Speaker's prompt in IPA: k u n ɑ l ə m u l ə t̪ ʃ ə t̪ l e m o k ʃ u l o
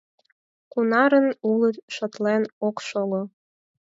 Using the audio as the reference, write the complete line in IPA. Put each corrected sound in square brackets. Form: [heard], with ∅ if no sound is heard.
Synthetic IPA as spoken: k u n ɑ [ɾ] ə [n] u l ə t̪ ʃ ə t̪ l e [n] o k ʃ [o] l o